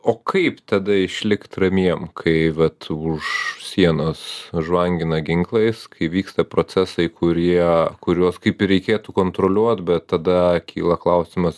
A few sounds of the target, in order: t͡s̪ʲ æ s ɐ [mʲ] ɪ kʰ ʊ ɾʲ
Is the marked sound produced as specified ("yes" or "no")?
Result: no